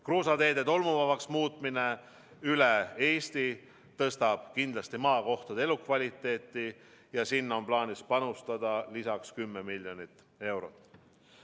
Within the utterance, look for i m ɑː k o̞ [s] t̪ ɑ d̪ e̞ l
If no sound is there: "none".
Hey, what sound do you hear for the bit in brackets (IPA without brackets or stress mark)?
h